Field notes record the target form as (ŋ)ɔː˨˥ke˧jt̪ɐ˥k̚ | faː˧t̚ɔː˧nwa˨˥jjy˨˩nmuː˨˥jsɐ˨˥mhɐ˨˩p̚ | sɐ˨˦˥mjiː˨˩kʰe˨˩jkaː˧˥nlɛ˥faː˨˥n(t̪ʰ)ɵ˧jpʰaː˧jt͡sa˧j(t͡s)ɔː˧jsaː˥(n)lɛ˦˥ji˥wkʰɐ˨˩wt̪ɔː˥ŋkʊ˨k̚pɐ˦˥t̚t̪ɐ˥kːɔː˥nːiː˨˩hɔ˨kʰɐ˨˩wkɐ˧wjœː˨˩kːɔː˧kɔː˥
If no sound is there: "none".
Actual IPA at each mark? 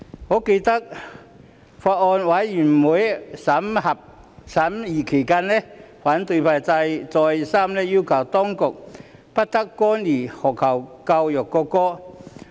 ŋ, t̪, t͡s, m

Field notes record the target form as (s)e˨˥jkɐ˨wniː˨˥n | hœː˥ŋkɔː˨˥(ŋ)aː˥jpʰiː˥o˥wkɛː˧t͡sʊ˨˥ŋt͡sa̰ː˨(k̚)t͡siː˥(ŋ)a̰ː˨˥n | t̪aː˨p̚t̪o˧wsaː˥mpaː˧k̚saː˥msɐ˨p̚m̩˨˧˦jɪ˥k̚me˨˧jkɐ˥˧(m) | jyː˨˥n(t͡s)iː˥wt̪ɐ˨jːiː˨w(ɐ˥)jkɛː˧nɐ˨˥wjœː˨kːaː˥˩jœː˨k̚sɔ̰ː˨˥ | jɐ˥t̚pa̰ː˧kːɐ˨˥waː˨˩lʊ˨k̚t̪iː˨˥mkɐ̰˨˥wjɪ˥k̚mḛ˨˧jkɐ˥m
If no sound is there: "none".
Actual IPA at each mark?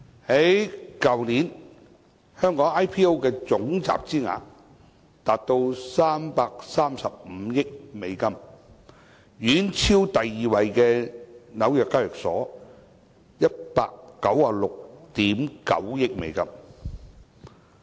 h, ŋ, p̚, ŋ, m, t͡sʰ, ɐ˨˧

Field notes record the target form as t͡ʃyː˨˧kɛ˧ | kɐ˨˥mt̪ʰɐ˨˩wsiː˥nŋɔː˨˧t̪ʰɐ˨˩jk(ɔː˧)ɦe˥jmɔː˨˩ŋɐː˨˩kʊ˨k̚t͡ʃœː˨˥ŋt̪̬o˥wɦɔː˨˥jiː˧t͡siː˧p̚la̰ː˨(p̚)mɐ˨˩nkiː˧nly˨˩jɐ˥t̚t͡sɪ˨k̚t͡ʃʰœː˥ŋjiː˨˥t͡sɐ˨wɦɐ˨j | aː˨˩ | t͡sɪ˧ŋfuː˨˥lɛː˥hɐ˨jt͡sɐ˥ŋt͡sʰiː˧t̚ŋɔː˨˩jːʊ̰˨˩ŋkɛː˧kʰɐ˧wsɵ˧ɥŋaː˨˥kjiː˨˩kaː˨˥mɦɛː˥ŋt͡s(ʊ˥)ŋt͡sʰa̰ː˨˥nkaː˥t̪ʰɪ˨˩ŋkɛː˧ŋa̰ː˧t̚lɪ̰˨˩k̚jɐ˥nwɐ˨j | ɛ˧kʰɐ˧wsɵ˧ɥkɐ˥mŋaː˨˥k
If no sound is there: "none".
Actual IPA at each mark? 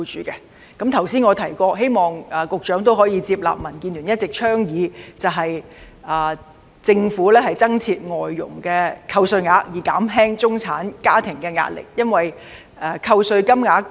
ɔː˧, p̚, ʊ˥

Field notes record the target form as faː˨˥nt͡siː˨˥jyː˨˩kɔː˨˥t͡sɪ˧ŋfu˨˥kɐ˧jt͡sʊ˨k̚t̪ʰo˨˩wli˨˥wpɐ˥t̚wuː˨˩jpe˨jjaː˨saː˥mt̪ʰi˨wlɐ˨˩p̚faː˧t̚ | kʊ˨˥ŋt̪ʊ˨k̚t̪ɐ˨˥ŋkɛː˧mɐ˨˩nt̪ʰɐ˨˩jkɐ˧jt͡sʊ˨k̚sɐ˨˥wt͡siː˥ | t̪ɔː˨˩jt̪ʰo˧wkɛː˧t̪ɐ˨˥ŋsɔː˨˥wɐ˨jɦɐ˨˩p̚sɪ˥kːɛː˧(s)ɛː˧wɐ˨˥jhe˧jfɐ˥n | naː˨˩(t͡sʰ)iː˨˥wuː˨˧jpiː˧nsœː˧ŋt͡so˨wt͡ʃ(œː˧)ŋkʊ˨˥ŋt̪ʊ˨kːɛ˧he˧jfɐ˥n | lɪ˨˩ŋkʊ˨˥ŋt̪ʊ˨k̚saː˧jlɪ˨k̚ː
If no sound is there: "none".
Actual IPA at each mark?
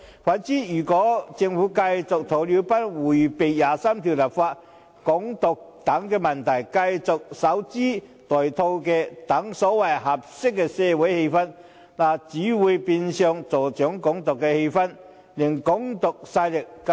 s, t͡s, œː˨˥

